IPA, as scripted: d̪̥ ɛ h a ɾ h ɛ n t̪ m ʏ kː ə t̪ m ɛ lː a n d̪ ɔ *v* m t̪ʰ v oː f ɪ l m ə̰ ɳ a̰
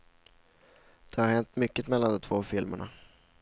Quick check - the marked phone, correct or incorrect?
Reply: incorrect